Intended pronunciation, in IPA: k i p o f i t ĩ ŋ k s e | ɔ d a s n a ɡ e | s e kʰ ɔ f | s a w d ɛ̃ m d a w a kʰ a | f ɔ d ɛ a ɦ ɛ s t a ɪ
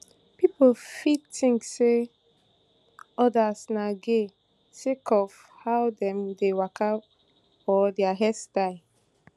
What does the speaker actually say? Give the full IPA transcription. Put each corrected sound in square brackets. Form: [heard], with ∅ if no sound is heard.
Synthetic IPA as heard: [p] i p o f i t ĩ ŋ k s e | ɔ d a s n a ɡ e | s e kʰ ɔ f | [h] a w d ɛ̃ m d [e] w a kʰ a | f ɔ d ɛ a ɦ ɛ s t a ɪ